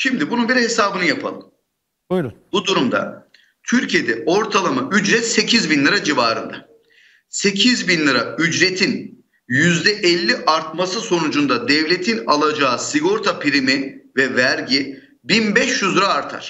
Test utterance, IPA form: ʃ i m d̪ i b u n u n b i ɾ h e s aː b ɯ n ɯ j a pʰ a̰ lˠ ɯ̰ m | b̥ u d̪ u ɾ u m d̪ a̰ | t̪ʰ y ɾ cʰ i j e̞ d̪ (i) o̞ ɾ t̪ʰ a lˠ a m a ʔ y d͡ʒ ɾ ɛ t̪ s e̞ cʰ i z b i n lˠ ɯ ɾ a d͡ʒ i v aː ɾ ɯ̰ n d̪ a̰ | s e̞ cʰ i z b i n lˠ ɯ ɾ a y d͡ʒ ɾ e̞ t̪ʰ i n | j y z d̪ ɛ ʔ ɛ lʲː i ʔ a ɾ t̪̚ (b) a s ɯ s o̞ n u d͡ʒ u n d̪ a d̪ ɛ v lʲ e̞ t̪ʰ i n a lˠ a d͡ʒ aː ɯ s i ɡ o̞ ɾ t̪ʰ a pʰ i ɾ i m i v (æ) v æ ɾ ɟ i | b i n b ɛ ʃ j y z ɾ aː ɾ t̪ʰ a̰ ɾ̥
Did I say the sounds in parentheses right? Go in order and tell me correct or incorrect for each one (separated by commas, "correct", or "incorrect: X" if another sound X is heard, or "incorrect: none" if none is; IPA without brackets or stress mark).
incorrect: ɛ, incorrect: m, incorrect: ɛ